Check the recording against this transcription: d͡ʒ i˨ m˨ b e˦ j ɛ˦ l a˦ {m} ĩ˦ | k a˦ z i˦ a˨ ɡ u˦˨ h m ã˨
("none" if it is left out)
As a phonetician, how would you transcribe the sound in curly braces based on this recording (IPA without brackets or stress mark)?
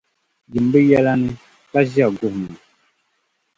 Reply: n